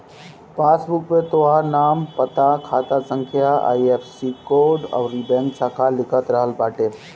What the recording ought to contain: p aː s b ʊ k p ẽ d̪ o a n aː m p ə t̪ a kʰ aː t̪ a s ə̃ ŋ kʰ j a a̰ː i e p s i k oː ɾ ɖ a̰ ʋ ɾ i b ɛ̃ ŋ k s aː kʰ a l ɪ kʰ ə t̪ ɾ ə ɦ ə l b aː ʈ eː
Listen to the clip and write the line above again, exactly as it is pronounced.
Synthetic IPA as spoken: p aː s b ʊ k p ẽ t̪ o a n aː m p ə t̪ a kʰ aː t̪ a s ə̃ ŋ kʰ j a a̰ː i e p s i k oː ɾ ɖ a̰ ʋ ɾ i b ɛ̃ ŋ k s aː kʰ a l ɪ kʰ ə t̪ ɾ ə ɦ ə l b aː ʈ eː